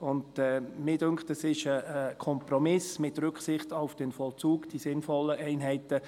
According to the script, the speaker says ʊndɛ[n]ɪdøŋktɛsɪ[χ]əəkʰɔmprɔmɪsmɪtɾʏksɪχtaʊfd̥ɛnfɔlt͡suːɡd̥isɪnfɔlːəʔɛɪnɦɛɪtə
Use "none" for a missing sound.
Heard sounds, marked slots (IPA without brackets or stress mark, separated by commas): m, ʃ